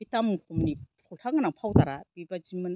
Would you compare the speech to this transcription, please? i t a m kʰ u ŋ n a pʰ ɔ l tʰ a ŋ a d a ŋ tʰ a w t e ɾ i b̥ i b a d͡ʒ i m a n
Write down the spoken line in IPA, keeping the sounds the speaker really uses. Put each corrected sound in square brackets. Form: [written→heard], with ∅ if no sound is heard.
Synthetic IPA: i t a m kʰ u [ŋ→m] n [a→i] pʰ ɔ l tʰ a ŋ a [d→n] a ŋ [tʰ→pʰ] a w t [e→a] ɾ [i→a] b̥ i b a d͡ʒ i m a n